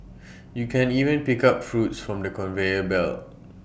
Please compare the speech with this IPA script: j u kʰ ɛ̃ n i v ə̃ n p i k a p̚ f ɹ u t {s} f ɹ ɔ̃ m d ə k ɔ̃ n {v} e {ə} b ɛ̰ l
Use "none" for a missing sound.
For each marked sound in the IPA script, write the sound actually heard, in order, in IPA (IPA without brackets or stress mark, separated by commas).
s, v, ə